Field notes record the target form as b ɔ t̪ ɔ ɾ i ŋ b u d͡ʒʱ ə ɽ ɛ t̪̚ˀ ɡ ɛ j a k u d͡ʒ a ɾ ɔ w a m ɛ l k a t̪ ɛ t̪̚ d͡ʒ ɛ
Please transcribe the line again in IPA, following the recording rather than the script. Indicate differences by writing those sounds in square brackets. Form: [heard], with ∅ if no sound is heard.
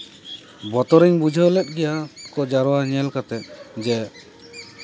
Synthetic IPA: b ɔ t̪ ɔ ɾ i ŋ b u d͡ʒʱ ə [l] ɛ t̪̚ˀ ɡ ɛ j a k [ɔ] d͡ʒ a ɾ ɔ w a [ɲ] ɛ l k a t̪ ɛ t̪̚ d͡ʒ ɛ